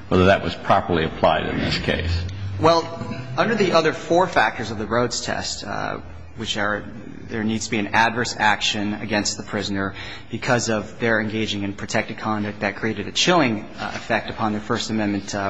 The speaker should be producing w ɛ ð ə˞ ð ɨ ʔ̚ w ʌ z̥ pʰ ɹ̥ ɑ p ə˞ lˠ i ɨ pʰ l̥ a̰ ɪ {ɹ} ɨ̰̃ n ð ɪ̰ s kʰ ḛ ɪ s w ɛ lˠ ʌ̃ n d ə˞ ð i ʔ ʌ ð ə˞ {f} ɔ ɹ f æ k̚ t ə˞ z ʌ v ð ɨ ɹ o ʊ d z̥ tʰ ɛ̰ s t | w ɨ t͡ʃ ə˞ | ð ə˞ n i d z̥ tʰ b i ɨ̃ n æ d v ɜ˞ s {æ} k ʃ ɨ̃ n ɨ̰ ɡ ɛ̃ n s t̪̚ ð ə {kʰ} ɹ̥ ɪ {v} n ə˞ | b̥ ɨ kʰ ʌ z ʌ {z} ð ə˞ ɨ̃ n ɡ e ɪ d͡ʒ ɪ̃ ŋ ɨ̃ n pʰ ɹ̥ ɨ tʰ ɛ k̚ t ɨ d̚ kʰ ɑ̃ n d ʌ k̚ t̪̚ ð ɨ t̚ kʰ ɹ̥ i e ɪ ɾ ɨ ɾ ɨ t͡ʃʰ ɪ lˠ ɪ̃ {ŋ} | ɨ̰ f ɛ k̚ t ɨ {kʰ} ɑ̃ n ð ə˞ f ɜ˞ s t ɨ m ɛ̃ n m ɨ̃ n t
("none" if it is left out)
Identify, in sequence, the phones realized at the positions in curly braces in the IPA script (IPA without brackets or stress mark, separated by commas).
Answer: ɾ, f, æ, pʰ, z, v, ŋ, pʰ